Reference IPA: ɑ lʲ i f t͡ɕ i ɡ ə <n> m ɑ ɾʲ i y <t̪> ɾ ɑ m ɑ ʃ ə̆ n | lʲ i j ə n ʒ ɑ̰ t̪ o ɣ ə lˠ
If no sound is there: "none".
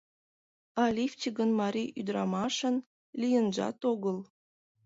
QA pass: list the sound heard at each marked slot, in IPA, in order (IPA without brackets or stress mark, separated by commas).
n, d̪